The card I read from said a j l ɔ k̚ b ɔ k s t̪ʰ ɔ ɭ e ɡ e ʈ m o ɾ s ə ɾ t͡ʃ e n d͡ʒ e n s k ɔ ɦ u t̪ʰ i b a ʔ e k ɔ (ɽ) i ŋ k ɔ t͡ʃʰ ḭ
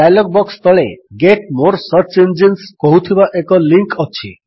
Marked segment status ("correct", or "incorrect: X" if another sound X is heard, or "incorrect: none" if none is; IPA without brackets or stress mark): incorrect: l